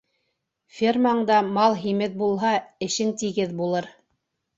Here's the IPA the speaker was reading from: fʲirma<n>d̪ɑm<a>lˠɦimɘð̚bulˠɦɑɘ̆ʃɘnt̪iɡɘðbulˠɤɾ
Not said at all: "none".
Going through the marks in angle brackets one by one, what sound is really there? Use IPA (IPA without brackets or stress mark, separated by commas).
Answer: ɴ, ɑ